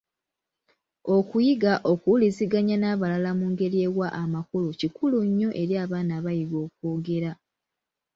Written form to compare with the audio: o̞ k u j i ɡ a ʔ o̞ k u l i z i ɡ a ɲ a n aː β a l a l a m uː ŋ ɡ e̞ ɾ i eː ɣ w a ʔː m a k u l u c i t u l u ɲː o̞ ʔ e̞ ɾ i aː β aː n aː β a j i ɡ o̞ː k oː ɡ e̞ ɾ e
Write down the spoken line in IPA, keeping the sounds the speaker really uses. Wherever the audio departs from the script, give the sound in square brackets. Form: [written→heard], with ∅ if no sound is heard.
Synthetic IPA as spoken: o̞ k u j i ɡ a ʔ o̞ k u l i z i ɡ a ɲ a n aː β a l a l a m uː ŋ ɡ e̞ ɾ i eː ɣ w a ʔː m a k u l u c i [t→k] u l u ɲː o̞ ʔ e̞ ɾ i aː β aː n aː β a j i ɡ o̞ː k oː ɡ e̞ ɾ [e→a]